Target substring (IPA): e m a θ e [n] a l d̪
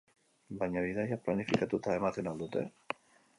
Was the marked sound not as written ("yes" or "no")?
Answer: no